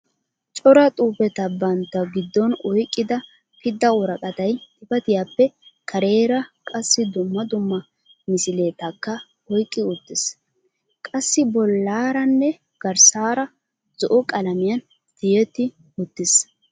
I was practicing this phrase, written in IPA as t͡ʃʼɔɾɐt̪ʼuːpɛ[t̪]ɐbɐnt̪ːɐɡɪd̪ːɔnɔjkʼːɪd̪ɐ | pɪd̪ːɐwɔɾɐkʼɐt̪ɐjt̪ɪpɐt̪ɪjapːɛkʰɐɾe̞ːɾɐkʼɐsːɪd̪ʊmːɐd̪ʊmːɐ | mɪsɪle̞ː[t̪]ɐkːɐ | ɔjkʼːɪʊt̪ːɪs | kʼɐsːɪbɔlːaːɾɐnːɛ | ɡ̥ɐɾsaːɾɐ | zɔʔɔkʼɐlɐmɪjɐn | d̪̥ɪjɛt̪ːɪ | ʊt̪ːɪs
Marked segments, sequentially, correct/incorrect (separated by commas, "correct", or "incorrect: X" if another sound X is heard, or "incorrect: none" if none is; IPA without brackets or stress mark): correct, correct